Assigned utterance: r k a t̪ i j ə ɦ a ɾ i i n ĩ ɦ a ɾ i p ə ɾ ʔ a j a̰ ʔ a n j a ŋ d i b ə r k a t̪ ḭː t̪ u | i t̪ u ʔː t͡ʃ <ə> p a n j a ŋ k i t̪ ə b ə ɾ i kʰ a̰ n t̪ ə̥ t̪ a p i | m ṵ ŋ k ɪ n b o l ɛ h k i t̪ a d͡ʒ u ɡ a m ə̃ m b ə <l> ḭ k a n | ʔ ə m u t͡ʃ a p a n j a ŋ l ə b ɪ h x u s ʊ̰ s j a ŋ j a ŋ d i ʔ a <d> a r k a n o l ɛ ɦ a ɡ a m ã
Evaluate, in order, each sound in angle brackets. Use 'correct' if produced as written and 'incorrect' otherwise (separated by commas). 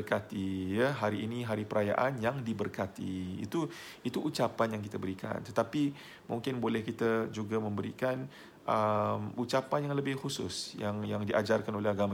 incorrect, incorrect, incorrect